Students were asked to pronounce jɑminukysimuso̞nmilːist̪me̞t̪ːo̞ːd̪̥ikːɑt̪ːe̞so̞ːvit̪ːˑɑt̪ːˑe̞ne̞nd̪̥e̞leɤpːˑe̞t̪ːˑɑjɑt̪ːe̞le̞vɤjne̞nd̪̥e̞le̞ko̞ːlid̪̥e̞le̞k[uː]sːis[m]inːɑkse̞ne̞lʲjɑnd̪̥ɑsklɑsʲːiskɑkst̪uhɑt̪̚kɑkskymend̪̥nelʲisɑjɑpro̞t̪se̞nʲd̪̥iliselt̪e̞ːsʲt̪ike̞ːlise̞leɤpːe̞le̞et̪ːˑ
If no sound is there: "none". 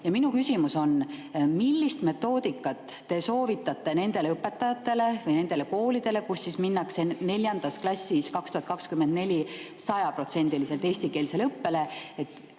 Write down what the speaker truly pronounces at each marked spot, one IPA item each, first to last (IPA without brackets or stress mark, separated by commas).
u, m